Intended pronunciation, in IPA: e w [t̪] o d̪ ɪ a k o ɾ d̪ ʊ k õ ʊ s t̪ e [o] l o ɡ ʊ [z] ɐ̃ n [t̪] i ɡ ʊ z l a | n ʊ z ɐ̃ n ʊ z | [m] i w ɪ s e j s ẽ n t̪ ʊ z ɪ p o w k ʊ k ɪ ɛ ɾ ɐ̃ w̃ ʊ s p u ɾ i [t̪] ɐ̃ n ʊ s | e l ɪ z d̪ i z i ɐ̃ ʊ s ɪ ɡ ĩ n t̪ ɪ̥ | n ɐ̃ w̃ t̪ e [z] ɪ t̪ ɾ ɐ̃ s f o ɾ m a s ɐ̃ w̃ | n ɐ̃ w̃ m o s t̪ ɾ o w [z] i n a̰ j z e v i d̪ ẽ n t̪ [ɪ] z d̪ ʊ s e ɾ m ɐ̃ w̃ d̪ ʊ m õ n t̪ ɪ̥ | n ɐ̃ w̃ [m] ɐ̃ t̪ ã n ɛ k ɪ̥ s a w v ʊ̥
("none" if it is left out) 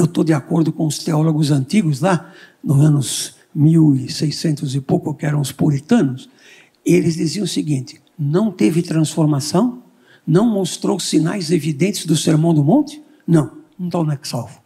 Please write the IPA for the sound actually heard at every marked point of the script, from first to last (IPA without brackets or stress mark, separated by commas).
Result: t̪, ɔ, z, t̪, m, t̪, v, s, ɪ, n